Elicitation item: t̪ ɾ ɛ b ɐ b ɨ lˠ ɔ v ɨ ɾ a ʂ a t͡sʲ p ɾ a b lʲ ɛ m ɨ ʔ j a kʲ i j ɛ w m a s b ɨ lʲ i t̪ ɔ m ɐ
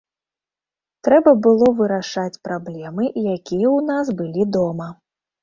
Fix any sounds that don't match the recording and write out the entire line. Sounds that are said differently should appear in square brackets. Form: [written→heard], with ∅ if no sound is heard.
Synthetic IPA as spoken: t̪ ɾ ɛ b ɐ b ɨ lˠ ɔ v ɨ ɾ a ʂ a t͡sʲ p ɾ a b lʲ ɛ m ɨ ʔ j a kʲ i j ɛ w [m→n] a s b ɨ lʲ i [t̪→d̪] ɔ m ɐ